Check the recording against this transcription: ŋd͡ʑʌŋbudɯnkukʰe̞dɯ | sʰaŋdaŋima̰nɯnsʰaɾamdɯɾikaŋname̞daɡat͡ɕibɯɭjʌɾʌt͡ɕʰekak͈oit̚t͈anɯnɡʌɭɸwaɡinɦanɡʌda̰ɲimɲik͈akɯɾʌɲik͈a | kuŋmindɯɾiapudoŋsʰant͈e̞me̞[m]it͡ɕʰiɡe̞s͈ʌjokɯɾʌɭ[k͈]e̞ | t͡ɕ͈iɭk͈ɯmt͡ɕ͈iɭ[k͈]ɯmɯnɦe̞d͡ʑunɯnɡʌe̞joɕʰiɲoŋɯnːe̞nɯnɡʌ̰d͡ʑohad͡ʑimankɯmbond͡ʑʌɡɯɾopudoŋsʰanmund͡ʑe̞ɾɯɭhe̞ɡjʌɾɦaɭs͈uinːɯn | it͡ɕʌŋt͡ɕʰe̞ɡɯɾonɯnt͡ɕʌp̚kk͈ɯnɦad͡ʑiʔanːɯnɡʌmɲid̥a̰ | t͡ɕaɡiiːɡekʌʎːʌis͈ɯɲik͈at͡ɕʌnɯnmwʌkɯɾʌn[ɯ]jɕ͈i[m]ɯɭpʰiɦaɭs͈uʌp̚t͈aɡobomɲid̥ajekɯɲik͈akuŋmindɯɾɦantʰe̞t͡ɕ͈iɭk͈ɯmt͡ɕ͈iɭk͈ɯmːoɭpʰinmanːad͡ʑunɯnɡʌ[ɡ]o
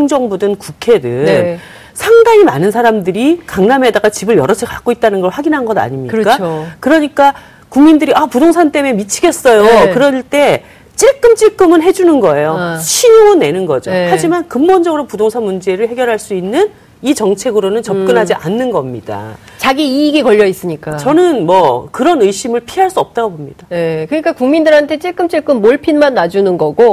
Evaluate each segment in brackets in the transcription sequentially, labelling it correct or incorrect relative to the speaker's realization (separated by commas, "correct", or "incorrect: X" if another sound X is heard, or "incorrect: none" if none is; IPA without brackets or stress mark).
correct, incorrect: t͈, correct, correct, correct, correct